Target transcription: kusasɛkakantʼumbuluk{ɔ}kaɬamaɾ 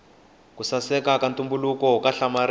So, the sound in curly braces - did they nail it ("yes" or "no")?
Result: yes